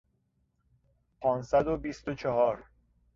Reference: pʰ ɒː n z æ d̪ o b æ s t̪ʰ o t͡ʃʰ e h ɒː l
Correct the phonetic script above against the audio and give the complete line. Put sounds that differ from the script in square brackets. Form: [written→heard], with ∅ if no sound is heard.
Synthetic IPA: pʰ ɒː n [z→s] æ d̪ o b [æ→i] s [t̪ʰ→t̪] o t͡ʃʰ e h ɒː [l→ɾ]